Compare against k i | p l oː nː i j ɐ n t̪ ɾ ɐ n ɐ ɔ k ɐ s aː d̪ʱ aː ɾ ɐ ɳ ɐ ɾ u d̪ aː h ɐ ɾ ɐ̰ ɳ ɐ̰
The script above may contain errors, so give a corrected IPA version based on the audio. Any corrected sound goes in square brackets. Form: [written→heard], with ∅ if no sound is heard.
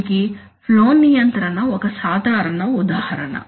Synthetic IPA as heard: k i | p l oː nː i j ɐ n t̪ ɾ ɐ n ɐ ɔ k ɐ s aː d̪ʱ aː ɾ ɐ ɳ ɐ [ɾ→∅] u d̪ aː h ɐ ɾ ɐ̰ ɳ ɐ̰